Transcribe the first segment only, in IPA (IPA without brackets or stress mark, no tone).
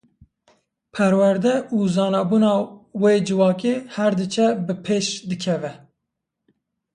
pʰ